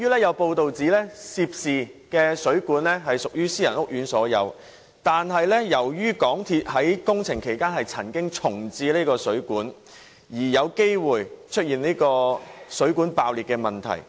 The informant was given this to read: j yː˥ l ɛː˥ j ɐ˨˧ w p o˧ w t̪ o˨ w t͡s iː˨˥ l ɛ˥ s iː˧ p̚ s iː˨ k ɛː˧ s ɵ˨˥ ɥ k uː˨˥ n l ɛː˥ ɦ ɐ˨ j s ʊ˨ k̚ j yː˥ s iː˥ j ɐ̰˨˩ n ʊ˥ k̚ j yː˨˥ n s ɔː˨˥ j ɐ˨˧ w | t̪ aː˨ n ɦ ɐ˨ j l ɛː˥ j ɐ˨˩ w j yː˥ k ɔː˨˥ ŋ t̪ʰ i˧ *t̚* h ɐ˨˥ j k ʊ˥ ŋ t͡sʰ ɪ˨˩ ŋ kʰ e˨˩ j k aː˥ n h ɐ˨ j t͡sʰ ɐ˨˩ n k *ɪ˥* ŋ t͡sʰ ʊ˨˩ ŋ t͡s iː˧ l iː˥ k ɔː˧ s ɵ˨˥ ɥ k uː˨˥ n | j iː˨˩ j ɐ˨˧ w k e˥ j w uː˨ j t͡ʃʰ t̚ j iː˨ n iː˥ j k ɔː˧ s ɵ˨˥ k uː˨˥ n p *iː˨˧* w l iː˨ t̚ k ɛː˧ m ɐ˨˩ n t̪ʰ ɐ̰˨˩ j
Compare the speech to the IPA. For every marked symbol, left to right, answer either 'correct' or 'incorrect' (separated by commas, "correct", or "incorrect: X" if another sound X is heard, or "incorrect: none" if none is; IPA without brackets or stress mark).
correct, correct, incorrect: aː˨˧